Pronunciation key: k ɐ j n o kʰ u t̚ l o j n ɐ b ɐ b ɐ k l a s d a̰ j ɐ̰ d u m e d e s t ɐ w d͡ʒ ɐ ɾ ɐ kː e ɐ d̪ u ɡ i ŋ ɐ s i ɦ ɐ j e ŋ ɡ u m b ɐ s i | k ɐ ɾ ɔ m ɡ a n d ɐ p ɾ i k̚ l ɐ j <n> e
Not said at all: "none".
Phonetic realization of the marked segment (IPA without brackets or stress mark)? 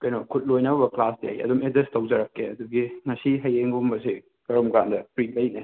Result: n